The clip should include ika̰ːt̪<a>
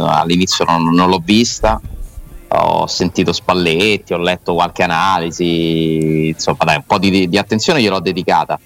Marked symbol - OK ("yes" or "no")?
yes